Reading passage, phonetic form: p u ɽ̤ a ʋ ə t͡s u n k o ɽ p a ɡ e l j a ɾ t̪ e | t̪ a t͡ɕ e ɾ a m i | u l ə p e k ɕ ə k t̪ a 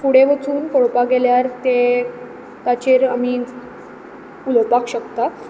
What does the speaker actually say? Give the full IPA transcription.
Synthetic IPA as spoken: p u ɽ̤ e ʋ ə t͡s uː n k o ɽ p a ɡ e l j a ɾ t̪ e | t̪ a t͡ɕ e ɾ a m i | u l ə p a k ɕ ə k t̪ a